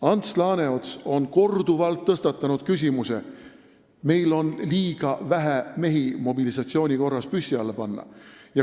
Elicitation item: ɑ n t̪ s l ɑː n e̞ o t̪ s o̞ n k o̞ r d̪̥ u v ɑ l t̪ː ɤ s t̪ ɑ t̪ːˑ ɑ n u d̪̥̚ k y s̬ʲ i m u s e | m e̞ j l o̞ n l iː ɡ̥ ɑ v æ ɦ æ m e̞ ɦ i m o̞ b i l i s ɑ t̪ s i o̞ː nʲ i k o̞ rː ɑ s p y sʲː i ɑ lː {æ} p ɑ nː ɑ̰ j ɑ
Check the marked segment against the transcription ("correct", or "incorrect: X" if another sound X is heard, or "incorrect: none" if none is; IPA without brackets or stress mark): incorrect: e